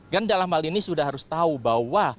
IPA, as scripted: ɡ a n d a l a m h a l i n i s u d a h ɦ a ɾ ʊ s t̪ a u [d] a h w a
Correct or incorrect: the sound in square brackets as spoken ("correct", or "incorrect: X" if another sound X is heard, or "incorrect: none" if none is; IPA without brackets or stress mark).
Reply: incorrect: b